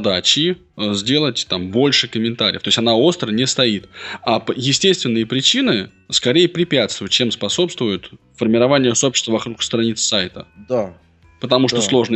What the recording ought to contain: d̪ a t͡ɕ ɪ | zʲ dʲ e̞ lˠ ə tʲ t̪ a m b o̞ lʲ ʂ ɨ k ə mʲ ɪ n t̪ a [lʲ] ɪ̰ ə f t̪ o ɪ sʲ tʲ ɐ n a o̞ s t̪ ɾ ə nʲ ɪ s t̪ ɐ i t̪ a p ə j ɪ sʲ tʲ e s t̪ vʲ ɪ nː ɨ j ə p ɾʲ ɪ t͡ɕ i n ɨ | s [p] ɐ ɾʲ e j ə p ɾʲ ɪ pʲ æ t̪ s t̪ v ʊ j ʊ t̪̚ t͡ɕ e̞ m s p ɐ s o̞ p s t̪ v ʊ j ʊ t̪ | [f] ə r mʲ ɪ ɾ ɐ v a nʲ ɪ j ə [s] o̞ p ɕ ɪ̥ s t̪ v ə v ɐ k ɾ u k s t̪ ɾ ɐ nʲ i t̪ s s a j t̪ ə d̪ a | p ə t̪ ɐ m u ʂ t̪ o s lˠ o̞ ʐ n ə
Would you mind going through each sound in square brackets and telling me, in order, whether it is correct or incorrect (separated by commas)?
incorrect, incorrect, correct, correct